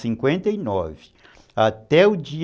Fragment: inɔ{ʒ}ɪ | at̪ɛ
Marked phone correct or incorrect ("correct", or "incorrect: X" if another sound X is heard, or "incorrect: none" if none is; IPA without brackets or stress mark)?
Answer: incorrect: v